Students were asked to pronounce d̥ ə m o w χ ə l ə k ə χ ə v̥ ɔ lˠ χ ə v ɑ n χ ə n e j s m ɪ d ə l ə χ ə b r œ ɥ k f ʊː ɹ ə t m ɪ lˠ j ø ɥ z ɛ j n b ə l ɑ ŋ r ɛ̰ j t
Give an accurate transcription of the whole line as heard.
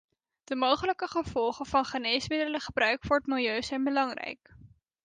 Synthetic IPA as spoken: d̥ ə m o w χ ə l ə k ə χ ə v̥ ɔ lˠ χ ə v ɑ n χ ə n e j s m ɪ d ə l ə χ ə b r œ ɥ k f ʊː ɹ ə t m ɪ lˠ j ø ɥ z ɛ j n b ə l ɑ ŋ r ɛ̰ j k